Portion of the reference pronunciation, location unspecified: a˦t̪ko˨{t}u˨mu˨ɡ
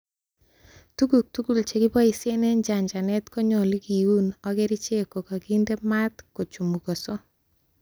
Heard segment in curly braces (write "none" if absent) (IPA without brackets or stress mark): t͡ʃ